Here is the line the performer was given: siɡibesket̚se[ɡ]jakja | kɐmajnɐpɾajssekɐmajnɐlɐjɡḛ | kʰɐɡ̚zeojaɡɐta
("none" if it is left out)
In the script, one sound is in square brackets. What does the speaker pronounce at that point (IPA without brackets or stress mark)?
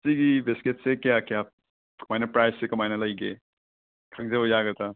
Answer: k